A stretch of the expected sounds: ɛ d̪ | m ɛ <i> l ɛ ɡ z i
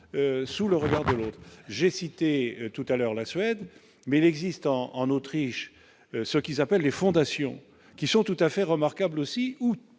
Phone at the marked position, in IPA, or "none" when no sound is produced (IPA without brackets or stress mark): i